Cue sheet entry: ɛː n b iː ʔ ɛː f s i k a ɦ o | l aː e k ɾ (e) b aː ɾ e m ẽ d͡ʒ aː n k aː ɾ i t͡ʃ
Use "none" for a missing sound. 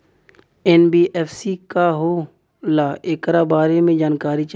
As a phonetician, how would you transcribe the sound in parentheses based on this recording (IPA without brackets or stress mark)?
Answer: a